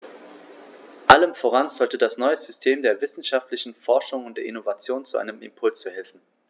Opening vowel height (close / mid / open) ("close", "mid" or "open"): open